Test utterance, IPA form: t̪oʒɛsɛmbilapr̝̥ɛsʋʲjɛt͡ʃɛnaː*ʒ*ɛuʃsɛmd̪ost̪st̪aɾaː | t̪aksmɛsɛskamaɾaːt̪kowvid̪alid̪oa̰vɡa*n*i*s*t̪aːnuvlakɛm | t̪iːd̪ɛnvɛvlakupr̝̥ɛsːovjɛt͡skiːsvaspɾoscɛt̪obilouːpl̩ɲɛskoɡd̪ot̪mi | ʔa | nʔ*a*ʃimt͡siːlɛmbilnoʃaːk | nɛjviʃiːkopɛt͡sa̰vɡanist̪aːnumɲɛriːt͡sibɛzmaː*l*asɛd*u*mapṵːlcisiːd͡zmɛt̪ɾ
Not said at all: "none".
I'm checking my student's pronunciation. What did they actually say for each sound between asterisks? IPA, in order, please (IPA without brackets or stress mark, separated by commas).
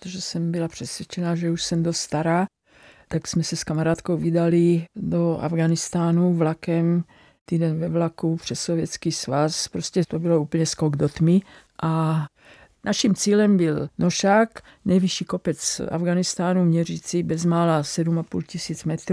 ʒ, n, s, a, l, u